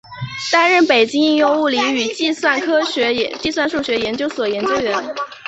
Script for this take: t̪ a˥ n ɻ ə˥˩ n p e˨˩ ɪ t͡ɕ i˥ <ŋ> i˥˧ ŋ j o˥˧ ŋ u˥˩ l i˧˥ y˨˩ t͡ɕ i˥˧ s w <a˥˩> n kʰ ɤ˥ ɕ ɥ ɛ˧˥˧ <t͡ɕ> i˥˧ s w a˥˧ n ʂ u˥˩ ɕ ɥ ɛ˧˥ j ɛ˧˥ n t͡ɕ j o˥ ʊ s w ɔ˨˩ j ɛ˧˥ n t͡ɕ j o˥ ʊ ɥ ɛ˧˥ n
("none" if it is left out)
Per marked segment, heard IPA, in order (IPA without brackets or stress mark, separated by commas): ŋ, a˥˩, t͡ɕ